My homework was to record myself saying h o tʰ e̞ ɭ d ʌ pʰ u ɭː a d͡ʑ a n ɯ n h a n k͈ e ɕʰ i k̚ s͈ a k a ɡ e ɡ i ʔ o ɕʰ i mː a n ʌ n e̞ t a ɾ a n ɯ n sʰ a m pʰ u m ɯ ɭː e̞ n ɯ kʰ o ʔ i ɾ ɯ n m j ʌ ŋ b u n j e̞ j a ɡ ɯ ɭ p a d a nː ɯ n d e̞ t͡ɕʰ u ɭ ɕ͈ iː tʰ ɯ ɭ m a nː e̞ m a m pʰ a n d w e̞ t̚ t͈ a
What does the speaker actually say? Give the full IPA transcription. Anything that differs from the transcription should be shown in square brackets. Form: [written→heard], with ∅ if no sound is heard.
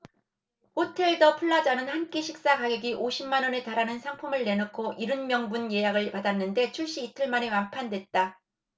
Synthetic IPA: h o tʰ e̞ ɭ d ʌ pʰ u ɭː a d͡ʑ a n ɯ n h a n k͈ e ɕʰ i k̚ s͈ a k a ɡ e ɡ i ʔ o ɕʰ i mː a n ʌ n e̞ t a ɾ a n ɯ n sʰ a [m→ŋ] pʰ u m ɯ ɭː e̞ n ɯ kʰ o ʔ i ɾ ɯ n m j ʌ ŋ b u n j e̞ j a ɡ ɯ ɭ p a d a nː ɯ n d e̞ t͡ɕʰ u ɭ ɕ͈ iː tʰ ɯ ɭ m a [nː→n] e̞ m a m pʰ a n d w e̞ t̚ t͈ a